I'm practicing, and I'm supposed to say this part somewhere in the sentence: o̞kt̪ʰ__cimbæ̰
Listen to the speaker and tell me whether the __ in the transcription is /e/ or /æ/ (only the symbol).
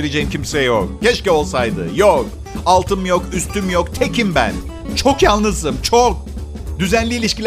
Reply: e